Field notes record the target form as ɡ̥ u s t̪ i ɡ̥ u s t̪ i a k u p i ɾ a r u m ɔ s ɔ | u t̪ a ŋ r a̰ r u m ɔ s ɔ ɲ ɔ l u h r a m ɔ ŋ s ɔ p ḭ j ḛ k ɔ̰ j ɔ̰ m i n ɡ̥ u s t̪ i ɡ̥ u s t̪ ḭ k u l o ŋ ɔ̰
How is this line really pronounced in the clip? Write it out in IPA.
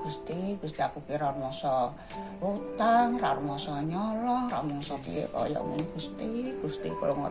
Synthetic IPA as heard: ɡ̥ u s t̪ i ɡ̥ u s t̪ i a k u k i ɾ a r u m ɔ s ɔ | u t̪ a ŋ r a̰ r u m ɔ s ɔ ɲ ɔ l ɔ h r a m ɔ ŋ s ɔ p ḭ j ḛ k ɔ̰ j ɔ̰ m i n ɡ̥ u s t̪ i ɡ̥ u s t̪ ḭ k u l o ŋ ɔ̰